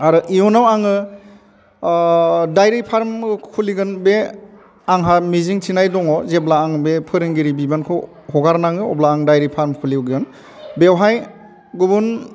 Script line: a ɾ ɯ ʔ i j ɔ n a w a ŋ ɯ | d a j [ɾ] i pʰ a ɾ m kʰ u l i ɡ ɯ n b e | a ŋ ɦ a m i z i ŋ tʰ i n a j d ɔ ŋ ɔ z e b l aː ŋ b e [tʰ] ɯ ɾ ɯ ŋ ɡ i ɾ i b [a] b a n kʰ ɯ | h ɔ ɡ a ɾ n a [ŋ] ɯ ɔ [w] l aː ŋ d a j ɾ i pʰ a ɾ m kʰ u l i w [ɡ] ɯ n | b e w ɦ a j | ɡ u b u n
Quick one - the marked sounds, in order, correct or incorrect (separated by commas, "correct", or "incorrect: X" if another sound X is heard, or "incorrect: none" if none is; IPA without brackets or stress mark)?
correct, incorrect: pʰ, incorrect: i, correct, incorrect: b, correct